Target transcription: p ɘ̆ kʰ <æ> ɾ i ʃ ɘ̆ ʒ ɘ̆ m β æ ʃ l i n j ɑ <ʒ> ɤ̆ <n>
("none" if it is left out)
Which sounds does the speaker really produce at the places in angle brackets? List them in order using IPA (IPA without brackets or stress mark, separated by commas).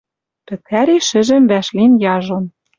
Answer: æ, ʒ, n